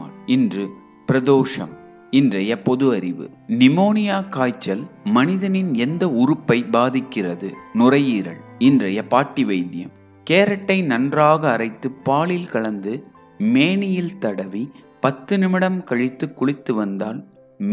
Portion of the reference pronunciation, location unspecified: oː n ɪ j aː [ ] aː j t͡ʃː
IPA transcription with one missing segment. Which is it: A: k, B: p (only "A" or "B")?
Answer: A